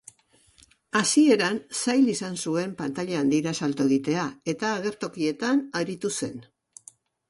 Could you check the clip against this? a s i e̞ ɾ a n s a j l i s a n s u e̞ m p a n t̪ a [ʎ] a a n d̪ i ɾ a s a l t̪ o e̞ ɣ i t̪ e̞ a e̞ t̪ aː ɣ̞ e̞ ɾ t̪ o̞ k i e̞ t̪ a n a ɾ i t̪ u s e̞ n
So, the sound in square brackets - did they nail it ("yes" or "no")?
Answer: yes